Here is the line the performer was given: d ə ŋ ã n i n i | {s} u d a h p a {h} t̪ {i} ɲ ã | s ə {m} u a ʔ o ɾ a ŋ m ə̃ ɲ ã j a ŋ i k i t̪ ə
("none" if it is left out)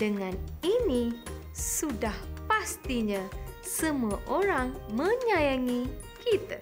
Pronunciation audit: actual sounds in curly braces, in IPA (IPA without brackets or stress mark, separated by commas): s, s, i, m